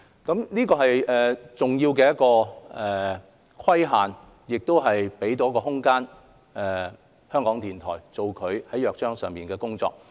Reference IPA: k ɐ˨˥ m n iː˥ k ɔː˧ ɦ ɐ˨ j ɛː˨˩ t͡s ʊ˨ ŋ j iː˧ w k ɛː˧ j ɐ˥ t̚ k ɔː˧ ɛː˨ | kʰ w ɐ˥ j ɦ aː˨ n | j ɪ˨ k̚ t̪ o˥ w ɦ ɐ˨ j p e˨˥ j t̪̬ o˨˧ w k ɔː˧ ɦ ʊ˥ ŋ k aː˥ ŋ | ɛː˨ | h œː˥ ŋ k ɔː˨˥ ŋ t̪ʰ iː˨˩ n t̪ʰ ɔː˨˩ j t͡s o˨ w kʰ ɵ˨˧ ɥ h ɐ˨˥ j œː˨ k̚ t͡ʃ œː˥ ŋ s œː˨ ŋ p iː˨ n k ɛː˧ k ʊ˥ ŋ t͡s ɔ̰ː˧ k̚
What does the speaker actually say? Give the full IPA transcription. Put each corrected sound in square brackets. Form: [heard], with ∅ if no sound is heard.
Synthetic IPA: k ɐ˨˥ m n iː˥ k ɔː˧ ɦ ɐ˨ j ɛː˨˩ t͡s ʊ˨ ŋ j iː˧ w k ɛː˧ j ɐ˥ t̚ k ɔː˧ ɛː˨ | kʰ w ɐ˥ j ɦ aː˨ n | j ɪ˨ k̚ t̪ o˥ w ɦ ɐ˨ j p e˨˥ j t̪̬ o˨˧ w k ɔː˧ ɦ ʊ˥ ŋ k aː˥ [n] | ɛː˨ | h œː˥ ŋ k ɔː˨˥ ŋ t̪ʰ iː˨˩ n t̪ʰ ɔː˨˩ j t͡s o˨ w kʰ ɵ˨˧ ɥ h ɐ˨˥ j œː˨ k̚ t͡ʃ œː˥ ŋ s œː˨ ŋ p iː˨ n k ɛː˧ k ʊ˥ ŋ t͡s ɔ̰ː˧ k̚